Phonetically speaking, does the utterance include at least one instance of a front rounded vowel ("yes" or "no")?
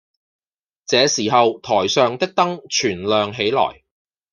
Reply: yes